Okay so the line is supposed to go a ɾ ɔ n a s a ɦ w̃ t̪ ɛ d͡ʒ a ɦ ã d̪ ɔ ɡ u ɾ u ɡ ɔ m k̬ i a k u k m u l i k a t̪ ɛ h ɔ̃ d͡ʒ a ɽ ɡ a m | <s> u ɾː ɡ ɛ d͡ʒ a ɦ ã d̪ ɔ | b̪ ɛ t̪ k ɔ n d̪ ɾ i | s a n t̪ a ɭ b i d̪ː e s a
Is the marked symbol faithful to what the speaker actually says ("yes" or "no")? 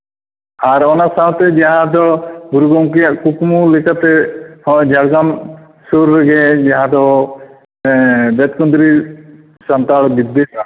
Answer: yes